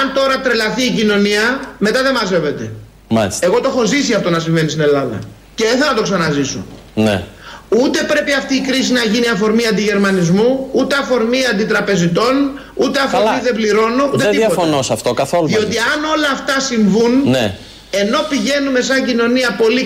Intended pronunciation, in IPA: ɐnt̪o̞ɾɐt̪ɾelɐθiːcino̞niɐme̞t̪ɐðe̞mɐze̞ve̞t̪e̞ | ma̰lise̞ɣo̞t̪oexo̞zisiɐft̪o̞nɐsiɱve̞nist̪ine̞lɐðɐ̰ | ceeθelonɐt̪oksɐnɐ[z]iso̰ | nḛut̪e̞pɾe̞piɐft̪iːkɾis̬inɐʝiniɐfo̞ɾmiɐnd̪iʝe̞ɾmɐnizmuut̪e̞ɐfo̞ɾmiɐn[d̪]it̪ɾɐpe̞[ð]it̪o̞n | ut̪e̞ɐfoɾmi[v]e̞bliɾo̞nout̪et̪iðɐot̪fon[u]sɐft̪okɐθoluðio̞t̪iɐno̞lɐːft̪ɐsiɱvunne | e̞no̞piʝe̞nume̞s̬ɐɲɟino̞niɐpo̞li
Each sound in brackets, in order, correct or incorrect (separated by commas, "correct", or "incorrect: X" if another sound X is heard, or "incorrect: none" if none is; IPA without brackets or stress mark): correct, correct, incorrect: z, incorrect: ð, incorrect: o